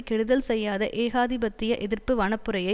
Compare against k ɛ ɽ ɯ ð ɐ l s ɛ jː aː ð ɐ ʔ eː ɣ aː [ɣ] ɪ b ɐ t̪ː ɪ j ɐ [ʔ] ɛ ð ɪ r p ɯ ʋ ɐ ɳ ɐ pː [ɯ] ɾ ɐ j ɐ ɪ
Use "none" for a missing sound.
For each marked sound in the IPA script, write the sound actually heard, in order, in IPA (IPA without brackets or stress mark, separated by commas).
ð, ʔ, ɯ